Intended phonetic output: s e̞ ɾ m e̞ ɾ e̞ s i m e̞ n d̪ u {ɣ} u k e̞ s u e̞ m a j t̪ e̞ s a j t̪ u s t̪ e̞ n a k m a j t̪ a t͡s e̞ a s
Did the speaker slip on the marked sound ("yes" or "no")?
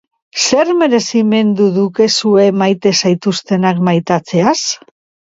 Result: yes